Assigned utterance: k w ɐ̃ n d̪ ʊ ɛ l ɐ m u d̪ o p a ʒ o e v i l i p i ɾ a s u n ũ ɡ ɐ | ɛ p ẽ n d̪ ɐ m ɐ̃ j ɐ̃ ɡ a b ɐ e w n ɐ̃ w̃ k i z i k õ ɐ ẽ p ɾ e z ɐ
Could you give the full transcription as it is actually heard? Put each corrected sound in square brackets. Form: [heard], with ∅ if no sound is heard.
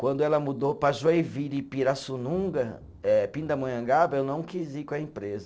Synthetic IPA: k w ɐ̃ n d̪ ʊ ɛ l ɐ m u d̪ o p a ʒ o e v i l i p i ɾ a s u n ũ ɡ ɐ | ɛ p [ĩ] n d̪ ɐ m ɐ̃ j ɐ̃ ɡ a b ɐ e w n ɐ̃ w̃ k i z i k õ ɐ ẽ p ɾ e z ɐ